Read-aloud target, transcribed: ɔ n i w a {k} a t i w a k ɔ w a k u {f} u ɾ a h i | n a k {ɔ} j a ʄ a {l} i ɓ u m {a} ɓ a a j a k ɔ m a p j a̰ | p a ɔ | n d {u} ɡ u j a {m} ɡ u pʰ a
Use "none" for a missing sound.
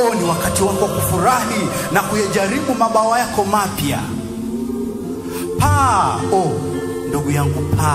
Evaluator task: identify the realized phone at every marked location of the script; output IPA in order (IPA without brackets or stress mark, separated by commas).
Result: k, f, u, ɾ, a, u, ŋ